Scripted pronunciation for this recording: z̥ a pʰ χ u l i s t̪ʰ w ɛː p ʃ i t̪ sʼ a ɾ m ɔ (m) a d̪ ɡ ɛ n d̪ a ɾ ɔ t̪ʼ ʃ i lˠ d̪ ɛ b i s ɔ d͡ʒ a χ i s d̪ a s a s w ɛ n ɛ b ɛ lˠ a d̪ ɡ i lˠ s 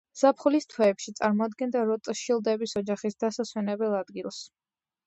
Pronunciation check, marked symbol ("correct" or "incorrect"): incorrect